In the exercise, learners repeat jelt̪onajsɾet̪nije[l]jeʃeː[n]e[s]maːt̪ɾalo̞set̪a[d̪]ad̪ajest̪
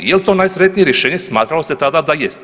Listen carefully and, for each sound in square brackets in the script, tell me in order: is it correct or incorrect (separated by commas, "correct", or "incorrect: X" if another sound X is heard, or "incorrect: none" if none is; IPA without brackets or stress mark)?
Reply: incorrect: ɾ, incorrect: ɲ, correct, correct